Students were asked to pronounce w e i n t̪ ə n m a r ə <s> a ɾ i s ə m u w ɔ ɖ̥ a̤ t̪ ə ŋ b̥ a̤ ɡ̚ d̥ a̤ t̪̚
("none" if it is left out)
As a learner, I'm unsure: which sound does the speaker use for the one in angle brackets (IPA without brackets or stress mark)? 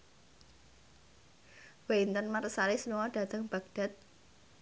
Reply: s